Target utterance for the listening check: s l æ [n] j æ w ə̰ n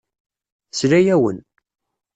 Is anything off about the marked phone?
yes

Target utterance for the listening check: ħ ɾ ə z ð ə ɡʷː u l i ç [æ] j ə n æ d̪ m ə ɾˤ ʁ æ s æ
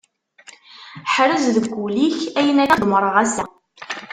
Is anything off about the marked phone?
no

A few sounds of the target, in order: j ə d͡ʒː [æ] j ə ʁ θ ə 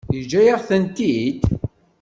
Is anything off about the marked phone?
no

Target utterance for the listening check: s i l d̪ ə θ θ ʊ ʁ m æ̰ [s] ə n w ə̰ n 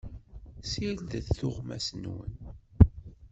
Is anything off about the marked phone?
no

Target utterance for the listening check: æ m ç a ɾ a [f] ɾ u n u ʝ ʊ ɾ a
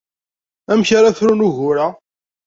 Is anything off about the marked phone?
yes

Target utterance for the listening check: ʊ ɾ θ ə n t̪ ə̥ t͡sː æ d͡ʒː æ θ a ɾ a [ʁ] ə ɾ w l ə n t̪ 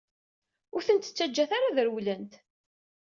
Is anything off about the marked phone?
yes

